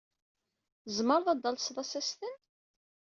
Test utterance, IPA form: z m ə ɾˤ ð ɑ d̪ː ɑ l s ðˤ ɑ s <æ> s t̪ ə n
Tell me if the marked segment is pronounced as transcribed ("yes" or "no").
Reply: yes